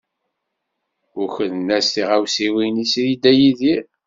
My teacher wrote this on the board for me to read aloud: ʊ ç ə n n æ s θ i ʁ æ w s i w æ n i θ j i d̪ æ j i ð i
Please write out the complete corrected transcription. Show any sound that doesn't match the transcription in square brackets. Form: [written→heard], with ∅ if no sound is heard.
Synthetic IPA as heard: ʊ ç ə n n æ s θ i ʁ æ w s i w [æ→i] n i [θ→s] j i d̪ æ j i ð i